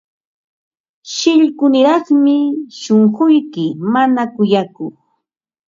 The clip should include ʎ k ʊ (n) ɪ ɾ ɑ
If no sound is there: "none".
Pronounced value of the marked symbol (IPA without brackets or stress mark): n